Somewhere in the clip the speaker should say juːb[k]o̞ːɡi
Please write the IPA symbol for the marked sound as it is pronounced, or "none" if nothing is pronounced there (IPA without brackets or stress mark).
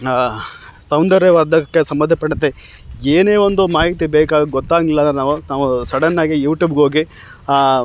ɡ